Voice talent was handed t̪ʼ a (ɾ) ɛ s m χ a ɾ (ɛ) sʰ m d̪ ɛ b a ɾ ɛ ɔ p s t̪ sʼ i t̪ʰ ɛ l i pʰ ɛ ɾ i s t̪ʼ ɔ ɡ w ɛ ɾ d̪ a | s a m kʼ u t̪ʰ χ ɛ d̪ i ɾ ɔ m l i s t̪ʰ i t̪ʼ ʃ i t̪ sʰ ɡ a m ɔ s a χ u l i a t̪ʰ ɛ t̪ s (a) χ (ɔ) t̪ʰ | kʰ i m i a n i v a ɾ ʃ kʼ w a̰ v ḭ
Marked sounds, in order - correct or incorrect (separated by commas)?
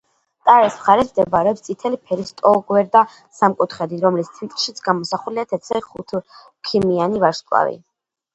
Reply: correct, correct, incorrect, incorrect